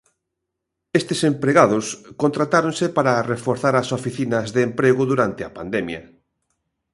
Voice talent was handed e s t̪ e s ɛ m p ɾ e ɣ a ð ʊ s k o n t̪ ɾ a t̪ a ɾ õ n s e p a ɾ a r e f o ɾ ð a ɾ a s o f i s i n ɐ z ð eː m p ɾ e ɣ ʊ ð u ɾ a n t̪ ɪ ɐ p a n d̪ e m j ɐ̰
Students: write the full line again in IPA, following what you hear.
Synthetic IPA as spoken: e s t̪ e s e m p ɾ e ɣ a ð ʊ s k o n t̪ ɾ a t̪ a ɾ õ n s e p a ɾ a r e f o ɾ θ a ɾ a s o f i θ i n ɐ z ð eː m p ɾ e ɣ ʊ ð u ɾ a n t̪ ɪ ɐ p a n d̪ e m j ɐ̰